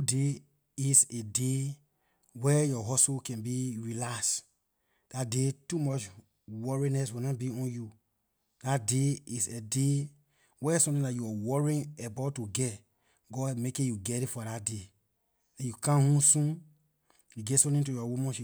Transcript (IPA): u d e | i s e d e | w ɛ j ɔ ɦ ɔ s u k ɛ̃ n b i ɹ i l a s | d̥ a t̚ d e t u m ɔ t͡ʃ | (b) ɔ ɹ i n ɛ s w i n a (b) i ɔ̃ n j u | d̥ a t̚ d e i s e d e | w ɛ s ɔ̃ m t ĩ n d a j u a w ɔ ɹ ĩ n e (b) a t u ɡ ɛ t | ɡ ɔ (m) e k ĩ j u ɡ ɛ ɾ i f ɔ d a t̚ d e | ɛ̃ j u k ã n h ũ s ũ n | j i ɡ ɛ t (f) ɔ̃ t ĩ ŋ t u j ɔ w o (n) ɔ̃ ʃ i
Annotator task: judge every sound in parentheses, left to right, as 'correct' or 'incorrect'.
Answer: incorrect, correct, correct, correct, incorrect, incorrect

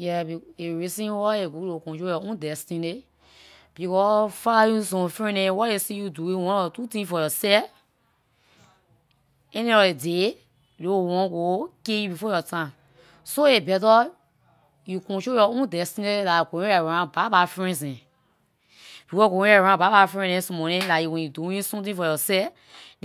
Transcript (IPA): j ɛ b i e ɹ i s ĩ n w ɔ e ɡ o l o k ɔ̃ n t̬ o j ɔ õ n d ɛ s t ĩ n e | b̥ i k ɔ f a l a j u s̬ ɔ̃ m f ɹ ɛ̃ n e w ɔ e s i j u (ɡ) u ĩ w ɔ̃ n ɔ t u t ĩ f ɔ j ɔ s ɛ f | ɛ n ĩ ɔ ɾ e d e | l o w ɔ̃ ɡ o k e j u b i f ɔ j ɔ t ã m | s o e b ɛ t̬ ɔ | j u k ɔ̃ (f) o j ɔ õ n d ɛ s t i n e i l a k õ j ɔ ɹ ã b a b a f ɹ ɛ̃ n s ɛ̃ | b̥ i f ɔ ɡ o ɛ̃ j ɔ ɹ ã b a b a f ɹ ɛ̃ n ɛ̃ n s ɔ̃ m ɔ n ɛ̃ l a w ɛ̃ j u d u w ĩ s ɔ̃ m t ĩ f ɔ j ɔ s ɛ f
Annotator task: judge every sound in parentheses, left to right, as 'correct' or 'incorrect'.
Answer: incorrect, incorrect

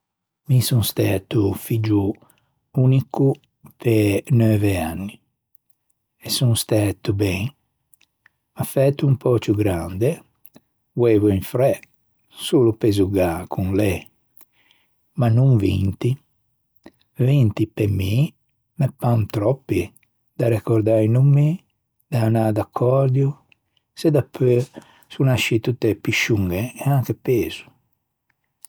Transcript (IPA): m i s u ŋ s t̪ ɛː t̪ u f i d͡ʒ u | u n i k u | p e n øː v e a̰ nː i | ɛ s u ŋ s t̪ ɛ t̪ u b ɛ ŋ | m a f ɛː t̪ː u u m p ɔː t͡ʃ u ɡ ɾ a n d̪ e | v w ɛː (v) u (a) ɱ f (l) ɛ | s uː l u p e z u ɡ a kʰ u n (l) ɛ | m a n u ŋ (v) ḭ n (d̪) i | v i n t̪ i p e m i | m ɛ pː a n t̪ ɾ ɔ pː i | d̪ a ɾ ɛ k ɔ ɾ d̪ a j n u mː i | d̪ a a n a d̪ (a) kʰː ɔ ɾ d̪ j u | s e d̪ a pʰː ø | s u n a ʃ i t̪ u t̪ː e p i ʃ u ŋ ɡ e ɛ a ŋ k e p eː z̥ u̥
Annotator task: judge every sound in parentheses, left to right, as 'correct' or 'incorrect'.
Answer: correct, incorrect, incorrect, correct, correct, incorrect, correct

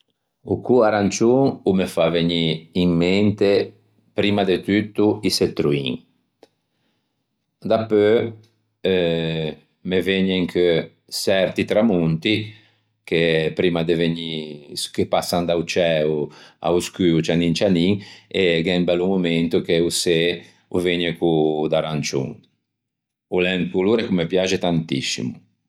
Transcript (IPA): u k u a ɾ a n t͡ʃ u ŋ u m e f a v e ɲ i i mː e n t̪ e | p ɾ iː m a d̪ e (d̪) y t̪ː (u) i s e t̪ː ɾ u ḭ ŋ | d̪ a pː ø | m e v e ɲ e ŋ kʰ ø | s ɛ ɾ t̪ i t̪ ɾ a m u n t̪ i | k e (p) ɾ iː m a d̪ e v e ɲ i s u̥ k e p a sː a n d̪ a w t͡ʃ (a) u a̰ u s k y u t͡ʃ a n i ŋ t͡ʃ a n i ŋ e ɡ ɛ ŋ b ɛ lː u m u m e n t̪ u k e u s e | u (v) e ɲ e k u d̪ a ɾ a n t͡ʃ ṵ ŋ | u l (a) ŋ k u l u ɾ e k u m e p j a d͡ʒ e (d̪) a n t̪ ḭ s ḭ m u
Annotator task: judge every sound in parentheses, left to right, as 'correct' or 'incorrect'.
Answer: incorrect, correct, correct, incorrect, correct, incorrect, incorrect

